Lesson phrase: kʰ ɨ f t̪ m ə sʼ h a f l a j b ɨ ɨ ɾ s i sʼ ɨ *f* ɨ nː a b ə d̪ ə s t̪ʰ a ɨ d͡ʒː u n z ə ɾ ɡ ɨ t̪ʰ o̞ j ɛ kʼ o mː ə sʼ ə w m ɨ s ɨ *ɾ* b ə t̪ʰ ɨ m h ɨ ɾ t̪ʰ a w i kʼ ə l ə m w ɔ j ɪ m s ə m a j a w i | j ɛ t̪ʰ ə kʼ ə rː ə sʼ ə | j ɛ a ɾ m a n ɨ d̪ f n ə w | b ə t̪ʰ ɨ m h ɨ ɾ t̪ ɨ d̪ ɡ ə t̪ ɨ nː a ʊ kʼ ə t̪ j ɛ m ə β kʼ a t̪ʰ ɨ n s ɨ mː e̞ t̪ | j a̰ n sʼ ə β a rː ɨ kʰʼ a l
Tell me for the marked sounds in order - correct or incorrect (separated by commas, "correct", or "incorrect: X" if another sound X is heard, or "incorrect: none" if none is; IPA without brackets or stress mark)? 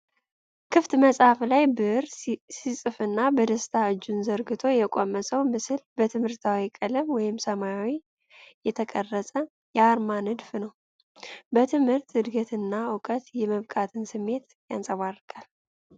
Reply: correct, incorrect: l